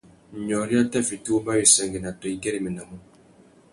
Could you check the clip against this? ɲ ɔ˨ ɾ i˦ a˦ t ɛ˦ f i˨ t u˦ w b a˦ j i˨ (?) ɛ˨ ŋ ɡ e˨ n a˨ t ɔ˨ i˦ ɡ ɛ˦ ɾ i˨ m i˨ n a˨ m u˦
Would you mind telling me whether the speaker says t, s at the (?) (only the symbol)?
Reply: s